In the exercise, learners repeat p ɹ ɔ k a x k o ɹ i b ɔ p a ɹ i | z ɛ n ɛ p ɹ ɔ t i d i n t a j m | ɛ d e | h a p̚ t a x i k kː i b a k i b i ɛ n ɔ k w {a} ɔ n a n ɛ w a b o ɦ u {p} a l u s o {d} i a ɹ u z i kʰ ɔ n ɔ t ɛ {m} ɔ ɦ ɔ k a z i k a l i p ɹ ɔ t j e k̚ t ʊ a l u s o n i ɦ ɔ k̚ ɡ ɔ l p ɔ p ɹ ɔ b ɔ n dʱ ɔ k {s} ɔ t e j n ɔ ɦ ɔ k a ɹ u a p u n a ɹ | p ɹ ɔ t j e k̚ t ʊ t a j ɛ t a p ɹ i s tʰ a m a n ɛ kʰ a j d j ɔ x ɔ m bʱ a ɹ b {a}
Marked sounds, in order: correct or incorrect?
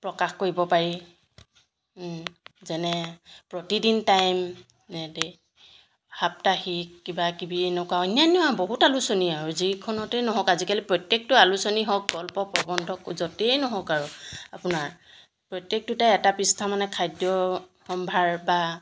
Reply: correct, incorrect: t, incorrect: n, incorrect: n, incorrect: z, correct

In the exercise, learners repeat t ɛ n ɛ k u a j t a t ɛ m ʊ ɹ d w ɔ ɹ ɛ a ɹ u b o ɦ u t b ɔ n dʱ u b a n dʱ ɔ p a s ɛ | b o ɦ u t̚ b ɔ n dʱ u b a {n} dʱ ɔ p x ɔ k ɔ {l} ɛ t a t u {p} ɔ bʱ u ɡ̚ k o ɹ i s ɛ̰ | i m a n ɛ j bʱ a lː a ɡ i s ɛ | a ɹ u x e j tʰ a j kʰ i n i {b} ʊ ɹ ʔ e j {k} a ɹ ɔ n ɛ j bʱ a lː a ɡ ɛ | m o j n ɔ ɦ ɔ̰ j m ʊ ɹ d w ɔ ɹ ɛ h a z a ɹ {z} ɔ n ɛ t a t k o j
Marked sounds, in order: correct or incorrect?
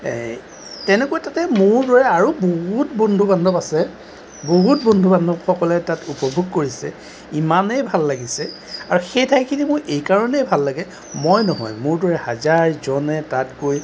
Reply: correct, correct, correct, incorrect: m, correct, correct

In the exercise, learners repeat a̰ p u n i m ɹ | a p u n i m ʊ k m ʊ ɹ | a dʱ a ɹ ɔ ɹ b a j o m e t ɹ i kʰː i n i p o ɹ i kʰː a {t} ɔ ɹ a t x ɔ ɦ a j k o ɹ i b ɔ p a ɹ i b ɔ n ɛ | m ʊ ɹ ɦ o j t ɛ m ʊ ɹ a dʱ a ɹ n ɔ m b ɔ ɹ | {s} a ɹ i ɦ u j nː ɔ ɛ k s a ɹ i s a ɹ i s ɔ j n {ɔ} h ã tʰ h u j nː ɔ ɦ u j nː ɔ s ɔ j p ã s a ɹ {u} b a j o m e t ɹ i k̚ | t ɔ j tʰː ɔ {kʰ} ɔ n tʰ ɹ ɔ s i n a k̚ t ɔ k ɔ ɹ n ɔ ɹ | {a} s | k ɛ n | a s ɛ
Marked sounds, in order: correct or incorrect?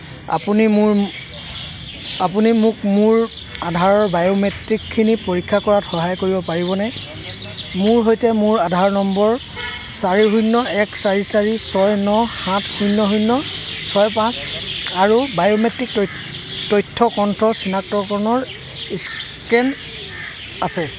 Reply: incorrect: k, correct, correct, correct, incorrect: k, incorrect: i

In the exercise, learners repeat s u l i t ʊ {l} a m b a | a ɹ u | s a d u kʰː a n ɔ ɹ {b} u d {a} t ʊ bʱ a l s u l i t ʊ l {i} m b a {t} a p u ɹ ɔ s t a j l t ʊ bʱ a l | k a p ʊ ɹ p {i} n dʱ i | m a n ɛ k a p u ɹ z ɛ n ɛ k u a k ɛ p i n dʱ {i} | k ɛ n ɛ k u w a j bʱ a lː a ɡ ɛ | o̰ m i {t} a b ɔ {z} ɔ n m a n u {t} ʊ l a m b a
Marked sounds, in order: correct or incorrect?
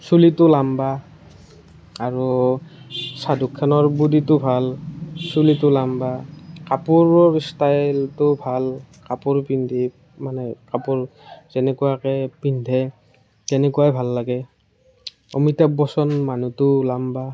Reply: correct, correct, incorrect: i, incorrect: a, incorrect: k, correct, incorrect: ɛ, correct, incorrect: s, correct

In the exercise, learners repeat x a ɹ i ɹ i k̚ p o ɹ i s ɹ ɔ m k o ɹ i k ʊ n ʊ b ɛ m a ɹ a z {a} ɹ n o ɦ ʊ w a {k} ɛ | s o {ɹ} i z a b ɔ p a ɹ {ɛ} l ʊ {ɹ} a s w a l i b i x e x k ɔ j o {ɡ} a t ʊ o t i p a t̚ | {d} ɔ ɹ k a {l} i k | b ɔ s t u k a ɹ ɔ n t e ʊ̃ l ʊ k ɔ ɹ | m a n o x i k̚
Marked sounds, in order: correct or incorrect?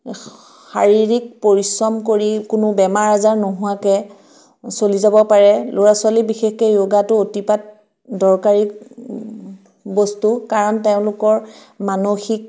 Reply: correct, correct, incorrect: l, correct, correct, correct, correct, incorrect: ɹ

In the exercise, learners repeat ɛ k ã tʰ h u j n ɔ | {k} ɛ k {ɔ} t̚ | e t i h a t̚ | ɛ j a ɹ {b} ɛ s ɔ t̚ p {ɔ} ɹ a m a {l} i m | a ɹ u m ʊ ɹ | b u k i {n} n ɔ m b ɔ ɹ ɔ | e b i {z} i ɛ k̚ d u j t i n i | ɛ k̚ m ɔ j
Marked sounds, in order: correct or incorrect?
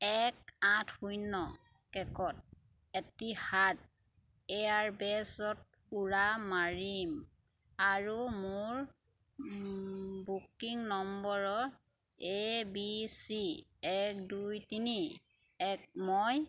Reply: correct, correct, correct, incorrect: u, incorrect: ɹ, incorrect: ŋ, incorrect: s

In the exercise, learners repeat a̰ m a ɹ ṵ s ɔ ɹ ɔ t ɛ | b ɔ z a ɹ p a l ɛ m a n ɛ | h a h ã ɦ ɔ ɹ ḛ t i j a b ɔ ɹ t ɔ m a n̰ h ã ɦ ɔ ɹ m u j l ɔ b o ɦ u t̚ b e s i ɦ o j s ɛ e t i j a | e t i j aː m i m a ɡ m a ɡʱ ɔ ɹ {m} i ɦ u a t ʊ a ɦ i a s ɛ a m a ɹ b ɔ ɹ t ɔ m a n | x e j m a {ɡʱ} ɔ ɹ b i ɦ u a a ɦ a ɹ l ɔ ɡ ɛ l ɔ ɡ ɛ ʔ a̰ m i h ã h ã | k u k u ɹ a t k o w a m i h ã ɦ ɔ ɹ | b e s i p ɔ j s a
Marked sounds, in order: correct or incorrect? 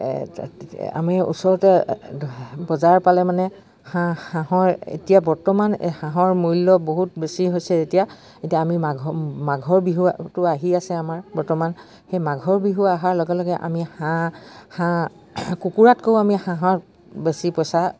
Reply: incorrect: b, correct

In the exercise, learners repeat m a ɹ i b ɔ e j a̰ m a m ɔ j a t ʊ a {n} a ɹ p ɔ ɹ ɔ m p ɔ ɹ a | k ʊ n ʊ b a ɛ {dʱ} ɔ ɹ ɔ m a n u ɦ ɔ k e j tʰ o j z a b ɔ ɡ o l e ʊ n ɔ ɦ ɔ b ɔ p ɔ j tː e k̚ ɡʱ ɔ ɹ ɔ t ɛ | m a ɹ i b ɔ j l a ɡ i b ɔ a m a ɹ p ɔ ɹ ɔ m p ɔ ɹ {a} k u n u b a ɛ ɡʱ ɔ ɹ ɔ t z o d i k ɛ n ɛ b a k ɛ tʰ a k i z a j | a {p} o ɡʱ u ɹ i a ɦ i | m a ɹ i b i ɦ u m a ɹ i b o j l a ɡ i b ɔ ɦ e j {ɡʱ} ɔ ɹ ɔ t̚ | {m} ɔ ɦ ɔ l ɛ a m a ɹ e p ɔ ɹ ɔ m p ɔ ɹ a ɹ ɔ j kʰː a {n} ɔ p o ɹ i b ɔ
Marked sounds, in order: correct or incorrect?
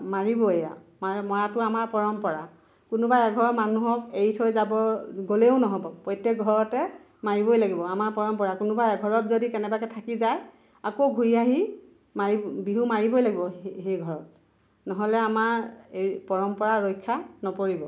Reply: incorrect: m, incorrect: ɡʱ, correct, incorrect: k, correct, incorrect: n, correct

